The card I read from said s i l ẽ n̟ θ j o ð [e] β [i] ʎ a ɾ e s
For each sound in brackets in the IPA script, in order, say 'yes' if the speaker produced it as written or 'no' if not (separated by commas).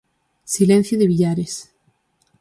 yes, yes